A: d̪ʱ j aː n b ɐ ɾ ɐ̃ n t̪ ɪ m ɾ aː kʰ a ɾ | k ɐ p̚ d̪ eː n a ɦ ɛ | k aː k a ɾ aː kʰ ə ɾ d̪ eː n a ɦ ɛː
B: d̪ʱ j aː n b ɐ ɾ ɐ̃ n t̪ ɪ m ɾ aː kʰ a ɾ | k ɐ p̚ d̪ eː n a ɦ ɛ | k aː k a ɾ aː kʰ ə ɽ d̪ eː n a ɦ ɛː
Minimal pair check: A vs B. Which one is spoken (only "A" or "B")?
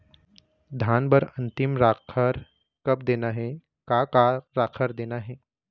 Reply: A